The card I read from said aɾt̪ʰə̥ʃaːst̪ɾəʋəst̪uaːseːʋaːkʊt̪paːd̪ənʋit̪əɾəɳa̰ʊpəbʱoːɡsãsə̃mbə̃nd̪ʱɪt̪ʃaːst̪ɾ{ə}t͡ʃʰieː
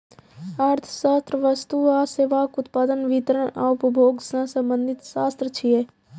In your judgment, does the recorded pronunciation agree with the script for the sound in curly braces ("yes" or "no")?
yes